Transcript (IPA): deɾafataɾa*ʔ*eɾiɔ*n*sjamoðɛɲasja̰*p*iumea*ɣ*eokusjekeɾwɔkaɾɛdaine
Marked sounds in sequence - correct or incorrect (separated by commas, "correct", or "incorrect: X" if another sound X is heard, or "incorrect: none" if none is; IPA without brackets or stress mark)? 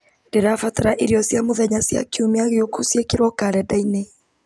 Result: correct, incorrect: none, incorrect: k, correct